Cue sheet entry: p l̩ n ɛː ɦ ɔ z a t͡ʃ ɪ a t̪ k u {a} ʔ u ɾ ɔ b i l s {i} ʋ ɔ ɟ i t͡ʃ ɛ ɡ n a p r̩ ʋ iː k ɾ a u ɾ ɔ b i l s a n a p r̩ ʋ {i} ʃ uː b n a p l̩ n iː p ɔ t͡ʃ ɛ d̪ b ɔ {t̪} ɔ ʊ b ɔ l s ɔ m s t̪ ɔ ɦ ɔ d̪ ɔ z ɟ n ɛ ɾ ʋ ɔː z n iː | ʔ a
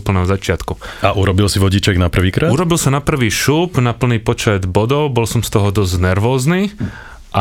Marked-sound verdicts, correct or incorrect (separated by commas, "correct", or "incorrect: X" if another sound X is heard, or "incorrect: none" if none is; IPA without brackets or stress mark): correct, correct, incorrect: iː, incorrect: d̪